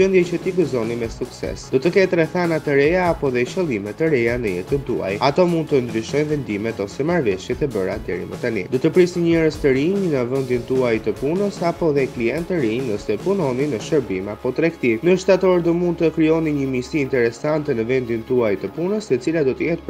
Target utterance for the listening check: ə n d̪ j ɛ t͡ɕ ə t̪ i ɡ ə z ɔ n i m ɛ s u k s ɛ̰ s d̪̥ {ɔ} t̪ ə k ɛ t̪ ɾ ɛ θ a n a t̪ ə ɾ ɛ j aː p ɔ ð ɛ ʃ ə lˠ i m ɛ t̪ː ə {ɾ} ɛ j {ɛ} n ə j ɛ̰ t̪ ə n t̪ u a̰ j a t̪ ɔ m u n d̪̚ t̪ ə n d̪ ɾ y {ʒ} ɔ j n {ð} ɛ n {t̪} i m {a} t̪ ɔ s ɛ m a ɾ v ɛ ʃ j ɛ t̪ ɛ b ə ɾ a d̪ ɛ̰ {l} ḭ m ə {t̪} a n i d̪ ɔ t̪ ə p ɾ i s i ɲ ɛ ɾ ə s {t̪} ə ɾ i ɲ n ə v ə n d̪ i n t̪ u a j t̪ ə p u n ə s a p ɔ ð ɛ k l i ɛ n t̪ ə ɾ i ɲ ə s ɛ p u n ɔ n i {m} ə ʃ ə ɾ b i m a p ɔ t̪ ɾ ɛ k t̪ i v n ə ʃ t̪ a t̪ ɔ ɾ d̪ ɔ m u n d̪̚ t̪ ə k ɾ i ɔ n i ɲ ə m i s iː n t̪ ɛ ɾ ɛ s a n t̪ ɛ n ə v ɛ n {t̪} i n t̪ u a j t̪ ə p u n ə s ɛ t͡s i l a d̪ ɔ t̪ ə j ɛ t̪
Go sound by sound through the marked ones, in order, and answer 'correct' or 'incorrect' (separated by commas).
correct, correct, incorrect, incorrect, incorrect, incorrect, incorrect, incorrect, correct, correct, incorrect, incorrect